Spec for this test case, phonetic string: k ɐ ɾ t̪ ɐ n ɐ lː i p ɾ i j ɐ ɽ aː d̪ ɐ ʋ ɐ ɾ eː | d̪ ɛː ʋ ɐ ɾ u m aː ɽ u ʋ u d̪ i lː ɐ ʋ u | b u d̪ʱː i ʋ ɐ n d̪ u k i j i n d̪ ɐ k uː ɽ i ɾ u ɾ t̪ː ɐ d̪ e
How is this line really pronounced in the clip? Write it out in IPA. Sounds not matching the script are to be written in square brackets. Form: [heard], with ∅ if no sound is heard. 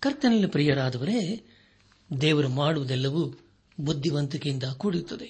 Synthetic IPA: k ɐ ɾ t̪ ɐ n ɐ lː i p ɾ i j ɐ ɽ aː d̪ ɐ ʋ ɐ ɾ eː | d̪ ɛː ʋ ɐ ɾ u m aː ɽ u ʋ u d̪ [ɛ] lː ɐ ʋ u | b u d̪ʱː i ʋ ɐ n [t̪] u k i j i n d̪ ɐ k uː ɽ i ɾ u [∅] t̪ː ɐ d̪ e